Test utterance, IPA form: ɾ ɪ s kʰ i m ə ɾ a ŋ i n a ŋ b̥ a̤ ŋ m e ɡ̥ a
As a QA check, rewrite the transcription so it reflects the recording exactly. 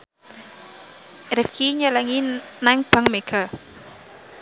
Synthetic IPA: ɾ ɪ f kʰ i ɲ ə l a ŋ i n a ŋ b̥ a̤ ŋ m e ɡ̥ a